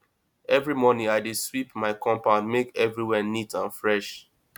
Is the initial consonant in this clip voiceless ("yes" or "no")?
no